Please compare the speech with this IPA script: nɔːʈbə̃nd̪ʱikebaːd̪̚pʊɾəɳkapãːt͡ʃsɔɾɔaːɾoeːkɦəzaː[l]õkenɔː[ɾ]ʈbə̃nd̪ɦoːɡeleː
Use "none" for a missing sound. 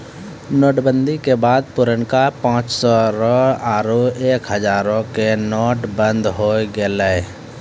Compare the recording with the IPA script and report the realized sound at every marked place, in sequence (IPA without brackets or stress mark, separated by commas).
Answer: ɾ, none